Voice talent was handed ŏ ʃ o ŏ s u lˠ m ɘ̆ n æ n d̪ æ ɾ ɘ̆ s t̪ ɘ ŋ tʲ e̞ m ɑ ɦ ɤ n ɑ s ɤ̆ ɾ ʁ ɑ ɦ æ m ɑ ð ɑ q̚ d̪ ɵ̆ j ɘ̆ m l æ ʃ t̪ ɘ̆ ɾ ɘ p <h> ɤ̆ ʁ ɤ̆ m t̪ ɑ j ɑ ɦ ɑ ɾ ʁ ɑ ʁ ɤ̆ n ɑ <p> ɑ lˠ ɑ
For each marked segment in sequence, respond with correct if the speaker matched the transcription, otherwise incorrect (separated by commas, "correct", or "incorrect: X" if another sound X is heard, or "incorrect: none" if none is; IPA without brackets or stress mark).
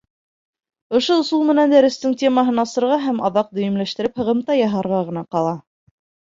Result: correct, incorrect: q